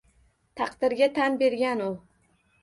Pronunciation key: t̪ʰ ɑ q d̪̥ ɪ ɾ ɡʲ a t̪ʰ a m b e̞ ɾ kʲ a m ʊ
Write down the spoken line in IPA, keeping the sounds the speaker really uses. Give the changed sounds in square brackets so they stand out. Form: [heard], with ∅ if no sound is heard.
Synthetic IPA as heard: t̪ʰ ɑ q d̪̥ ɪ ɾ ɡʲ a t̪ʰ a [n] b e̞ ɾ [ɡʲ] a [n] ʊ